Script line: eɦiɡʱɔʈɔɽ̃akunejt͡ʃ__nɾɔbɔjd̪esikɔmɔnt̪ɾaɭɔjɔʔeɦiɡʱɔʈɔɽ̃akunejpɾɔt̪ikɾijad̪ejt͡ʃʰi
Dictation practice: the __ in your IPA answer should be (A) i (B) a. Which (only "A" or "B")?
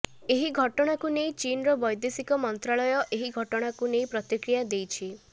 A